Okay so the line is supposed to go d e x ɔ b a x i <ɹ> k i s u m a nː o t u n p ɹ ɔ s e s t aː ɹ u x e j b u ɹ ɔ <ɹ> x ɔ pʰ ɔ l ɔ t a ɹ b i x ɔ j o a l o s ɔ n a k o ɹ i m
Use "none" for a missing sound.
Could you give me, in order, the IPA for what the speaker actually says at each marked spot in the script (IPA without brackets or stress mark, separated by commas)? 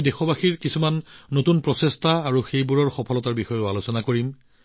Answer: ɹ, ɹ